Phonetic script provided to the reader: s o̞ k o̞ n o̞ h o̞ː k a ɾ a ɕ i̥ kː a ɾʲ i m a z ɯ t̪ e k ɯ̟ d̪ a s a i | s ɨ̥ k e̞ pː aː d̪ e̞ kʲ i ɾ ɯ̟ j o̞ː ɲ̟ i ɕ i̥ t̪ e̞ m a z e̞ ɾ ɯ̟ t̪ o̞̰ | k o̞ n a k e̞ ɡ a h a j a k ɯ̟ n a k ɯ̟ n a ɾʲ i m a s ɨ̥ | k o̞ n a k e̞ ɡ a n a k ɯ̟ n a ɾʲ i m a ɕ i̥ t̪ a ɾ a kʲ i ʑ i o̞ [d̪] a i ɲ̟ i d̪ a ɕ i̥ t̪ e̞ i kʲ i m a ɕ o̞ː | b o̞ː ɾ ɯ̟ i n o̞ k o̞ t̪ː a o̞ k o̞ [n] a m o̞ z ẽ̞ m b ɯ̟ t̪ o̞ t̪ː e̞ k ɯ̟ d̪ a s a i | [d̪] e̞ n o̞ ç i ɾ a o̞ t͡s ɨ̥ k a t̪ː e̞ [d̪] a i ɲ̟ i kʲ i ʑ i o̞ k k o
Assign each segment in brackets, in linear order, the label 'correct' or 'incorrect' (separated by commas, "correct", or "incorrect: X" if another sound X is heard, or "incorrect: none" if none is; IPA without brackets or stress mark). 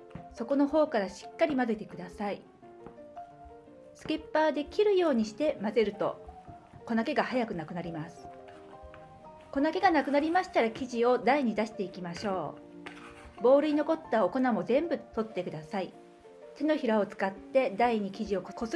correct, correct, incorrect: t̪, correct